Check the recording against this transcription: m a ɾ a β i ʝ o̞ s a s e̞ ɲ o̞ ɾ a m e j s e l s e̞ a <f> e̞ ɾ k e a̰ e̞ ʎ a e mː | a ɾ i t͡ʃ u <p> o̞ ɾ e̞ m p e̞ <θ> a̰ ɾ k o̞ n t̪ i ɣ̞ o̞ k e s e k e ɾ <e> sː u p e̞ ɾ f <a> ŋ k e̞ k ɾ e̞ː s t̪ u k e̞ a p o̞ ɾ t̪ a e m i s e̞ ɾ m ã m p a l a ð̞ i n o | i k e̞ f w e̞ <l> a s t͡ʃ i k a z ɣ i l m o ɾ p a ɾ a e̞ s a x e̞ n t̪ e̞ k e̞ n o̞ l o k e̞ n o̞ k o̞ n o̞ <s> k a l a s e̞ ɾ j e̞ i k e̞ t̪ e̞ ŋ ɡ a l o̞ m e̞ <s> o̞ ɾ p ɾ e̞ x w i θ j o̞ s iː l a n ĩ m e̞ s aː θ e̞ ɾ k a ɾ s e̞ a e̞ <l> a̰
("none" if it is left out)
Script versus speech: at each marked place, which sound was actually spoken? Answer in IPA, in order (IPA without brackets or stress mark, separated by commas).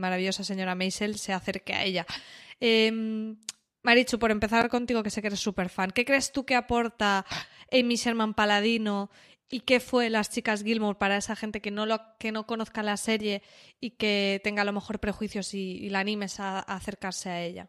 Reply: θ, p, θ, e, a, l, θ, x, ʎ